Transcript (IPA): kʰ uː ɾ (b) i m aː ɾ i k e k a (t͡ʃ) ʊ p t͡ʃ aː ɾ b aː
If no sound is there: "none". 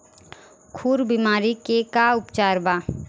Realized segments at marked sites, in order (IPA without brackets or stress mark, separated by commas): b, none